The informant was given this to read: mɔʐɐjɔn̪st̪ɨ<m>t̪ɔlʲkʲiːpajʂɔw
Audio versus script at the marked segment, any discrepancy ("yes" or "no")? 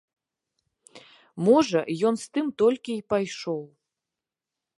no